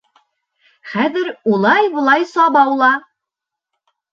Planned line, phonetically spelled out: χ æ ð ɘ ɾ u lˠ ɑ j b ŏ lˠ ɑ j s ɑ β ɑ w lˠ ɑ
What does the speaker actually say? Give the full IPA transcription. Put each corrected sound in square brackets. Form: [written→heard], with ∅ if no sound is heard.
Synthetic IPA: χ æ ð ɘ ɾ u lˠ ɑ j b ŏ lˠ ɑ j s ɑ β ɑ w lˠ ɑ